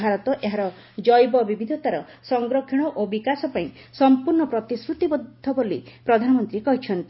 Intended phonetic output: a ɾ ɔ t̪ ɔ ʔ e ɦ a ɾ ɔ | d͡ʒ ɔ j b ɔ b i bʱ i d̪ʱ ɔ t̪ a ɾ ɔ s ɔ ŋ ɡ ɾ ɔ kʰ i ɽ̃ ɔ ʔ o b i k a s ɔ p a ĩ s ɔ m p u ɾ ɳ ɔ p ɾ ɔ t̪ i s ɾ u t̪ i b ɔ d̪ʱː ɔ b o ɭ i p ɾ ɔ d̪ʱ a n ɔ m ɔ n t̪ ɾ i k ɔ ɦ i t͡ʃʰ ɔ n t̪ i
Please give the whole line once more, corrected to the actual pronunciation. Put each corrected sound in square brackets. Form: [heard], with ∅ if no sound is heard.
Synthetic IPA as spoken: a ɾ ɔ t̪ ɔ ʔ e ɦ a ɾ ɔ | d͡ʒ ɔ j b ɔ b i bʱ i d̪ʱ ɔ t̪ a ɾ ɔ s ɔ ŋ ɡ ɾ ɔ kʰ i ɽ̃ ɔ ʔ o b i k a s ɔ p a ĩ s ɔ m p u ɾ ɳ ɔ p ɾ ɔ t̪ i s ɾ u t̪ i b ɔ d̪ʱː ɔ b o [l] i p ɾ ɔ d̪ʱ a n ɔ m ɔ n t̪ ɾ i k ɔ ɦ i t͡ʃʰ ɔ n t̪ i

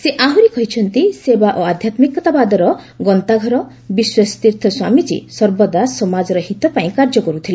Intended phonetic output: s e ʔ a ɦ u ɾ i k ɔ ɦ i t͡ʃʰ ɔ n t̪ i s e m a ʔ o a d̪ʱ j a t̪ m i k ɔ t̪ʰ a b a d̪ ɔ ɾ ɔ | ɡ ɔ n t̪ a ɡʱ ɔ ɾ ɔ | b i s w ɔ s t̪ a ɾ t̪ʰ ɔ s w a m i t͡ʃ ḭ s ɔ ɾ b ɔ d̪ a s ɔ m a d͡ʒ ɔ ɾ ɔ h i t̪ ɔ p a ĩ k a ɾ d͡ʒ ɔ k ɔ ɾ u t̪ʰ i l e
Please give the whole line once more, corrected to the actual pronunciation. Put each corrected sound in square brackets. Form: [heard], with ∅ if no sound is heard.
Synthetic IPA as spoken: s e ʔ a ɦ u ɾ i k ɔ ɦ i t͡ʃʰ ɔ n t̪ i s e [b] a ʔ o a d̪ʱ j a t̪ m i k ɔ [t̪] a b a d̪ ɔ ɾ ɔ | ɡ ɔ n t̪ a ɡʱ ɔ ɾ ɔ | b i s w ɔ s t̪ [i] ɾ t̪ʰ ɔ s w a m i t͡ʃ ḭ s ɔ ɾ b ɔ d̪ a s ɔ m a d͡ʒ ɔ ɾ ɔ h i t̪ ɔ p a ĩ k a ɾ d͡ʒ ɔ k ɔ ɾ u t̪ʰ i l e

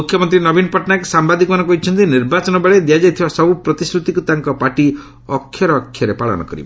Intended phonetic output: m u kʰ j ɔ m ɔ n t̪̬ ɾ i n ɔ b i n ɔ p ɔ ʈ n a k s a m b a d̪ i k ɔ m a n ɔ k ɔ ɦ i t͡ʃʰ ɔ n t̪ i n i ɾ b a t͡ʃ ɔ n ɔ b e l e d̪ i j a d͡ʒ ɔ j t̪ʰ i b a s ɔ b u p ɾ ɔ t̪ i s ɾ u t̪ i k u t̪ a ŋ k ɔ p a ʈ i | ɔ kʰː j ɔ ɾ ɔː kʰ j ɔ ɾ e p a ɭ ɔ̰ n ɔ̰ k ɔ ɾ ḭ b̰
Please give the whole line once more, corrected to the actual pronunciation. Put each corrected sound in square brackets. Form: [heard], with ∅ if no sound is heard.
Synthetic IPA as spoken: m u kʰ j ɔ m ɔ n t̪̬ ɾ i n ɔ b i n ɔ p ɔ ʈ n a k s a m b a d̪ i k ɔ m a n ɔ k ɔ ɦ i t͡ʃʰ ɔ n t̪ i n i ɾ b a t͡ʃ ɔ n ɔ b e [ɭ] e d̪ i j a d͡ʒ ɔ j t̪ʰ i b a s ɔ b u p ɾ ɔ t̪ i s ɾ u t̪ i k u t̪ a ŋ k ɔ p a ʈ i | ɔ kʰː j ɔ ɾ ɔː kʰ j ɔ ɾ e p a ɭ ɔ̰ n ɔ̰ k ɔ ɾ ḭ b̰

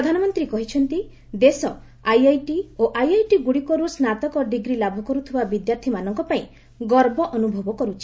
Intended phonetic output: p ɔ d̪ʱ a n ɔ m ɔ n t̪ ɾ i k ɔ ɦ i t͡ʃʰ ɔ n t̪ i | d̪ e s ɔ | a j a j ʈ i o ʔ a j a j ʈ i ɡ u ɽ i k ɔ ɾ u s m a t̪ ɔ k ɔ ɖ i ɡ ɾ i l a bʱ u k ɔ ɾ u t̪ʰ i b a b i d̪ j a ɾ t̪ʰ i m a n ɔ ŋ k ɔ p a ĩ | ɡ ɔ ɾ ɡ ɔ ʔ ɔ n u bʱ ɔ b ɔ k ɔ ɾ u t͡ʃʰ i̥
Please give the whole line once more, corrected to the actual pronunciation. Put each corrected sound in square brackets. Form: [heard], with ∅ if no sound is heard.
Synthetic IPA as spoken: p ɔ d̪ʱ a n ɔ m ɔ n t̪ ɾ i k ɔ ɦ i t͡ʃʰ ɔ n t̪ i | d̪ e s ɔ | a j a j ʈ i o ʔ a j a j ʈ i ɡ u ɽ i k ɔ ɾ u s [n] a t̪ ɔ k ɔ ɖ i ɡ ɾ i l a bʱ u k ɔ ɾ u t̪ʰ i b a b i d̪ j a ɾ t̪ʰ i m a n ɔ ŋ k ɔ p a ĩ | ɡ ɔ ɾ [b] ɔ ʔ ɔ n u bʱ ɔ b ɔ k ɔ ɾ u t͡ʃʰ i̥

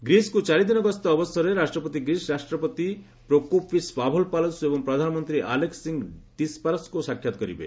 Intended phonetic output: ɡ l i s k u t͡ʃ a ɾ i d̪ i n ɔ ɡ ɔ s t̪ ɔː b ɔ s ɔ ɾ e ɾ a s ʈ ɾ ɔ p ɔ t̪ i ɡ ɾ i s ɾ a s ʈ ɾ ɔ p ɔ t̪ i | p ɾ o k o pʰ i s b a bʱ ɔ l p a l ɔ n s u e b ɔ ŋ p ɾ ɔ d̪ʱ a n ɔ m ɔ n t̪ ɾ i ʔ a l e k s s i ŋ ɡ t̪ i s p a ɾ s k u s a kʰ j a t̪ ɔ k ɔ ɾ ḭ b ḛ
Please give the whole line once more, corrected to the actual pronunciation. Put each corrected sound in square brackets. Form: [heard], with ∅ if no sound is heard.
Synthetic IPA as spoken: ɡ [ɾ] i s k u t͡ʃ a ɾ i d̪ i n ɔ ɡ ɔ s t̪ ɔː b ɔ s ɔ ɾ e ɾ a s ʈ ɾ ɔ p ɔ t̪ i ɡ ɾ i s ɾ a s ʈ ɾ ɔ p ɔ t̪ i | p ɾ o k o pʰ i s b a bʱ ɔ l p a l ɔ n s u e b ɔ ŋ p ɾ ɔ d̪ʱ a n ɔ m ɔ n t̪ ɾ i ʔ a l e k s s i ŋ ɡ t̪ i s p a ɾ s k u s a kʰ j a t̪ ɔ k ɔ ɾ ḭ b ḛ

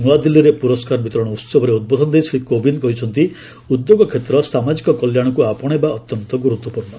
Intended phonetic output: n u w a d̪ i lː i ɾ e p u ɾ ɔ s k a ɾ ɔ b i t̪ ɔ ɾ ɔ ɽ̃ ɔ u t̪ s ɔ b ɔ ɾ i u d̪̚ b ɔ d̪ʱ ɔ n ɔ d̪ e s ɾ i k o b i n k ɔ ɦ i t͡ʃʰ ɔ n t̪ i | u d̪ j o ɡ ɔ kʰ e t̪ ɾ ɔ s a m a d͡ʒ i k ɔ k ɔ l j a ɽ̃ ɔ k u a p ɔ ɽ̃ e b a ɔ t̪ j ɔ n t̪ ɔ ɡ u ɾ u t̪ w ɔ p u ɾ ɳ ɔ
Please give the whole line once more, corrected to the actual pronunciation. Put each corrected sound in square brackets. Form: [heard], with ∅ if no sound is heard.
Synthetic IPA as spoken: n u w a d̪ i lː i ɾ e p u ɾ ɔ s k a ɾ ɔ b i t̪ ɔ ɾ ɔ ɽ̃ ɔ u t̪ s ɔ b ɔ ɾ [e] u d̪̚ b ɔ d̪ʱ ɔ n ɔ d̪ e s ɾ i k o b i n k ɔ ɦ i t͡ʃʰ ɔ n t̪ i | u d̪ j o ɡ ɔ kʰ e t̪ ɾ ɔ s a m a d͡ʒ i k ɔ k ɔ l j a ɽ̃ ɔ k u a p ɔ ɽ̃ e b a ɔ t̪ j ɔ n t̪ ɔ ɡ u ɾ u t̪ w ɔ p u ɾ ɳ ɔ

